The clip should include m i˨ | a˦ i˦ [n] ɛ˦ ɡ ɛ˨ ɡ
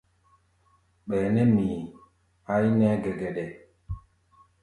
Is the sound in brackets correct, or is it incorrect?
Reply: correct